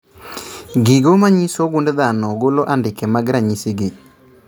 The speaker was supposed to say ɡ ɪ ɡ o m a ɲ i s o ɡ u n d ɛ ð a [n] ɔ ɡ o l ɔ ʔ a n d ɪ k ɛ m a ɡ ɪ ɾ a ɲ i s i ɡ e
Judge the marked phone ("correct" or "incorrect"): correct